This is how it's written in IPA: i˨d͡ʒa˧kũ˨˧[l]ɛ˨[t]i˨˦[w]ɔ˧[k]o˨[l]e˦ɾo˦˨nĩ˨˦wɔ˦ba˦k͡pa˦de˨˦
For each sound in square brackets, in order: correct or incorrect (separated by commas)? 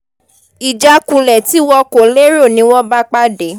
correct, correct, correct, correct, correct